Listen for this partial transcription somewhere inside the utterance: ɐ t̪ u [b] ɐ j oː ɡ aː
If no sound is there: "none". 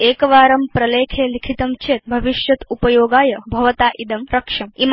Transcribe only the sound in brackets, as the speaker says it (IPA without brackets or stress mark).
p